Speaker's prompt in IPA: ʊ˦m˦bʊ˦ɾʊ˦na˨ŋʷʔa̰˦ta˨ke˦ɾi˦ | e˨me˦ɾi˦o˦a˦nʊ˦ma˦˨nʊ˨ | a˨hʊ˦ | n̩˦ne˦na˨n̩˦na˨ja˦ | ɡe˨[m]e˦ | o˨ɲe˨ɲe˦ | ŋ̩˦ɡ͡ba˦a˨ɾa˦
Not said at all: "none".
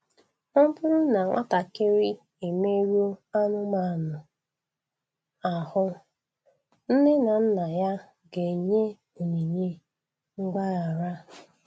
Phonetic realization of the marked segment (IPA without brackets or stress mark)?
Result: ɲ